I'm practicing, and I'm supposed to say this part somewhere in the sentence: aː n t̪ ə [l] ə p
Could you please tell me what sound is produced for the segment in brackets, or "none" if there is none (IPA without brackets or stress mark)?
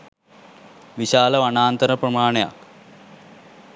ɾ